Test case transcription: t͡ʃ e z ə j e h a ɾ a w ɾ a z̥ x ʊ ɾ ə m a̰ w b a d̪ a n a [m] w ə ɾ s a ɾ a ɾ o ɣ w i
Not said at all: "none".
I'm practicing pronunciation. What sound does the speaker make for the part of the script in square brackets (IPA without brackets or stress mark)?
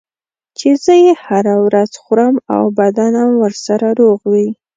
m